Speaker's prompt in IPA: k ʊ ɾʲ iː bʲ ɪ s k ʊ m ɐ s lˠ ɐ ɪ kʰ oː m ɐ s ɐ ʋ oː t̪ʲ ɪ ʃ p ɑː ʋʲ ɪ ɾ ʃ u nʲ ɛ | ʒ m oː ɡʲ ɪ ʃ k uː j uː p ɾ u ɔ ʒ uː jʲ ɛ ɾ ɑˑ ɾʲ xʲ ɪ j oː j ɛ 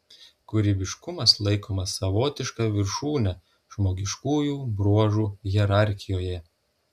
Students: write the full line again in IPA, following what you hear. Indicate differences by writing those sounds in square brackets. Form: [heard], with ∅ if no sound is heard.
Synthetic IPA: k ʊ ɾʲ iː bʲ ɪ [ʃ] k ʊ m ɐ s lˠ ɐ ɪ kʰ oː m ɐ s ɐ ʋ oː t̪ʲ ɪ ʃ [k] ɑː ʋʲ ɪ ɾ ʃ [uː] nʲ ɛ | ʒ m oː ɡʲ ɪ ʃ k uː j uː [b] ɾ u ɔ ʒ uː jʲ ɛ ɾ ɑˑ ɾʲ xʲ ɪ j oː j ɛ